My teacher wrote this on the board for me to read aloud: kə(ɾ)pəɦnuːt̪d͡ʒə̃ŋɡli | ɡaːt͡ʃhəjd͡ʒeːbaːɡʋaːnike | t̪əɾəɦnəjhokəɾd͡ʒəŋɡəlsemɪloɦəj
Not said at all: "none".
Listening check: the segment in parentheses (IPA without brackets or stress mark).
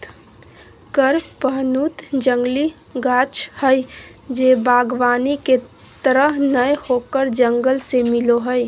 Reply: ɾ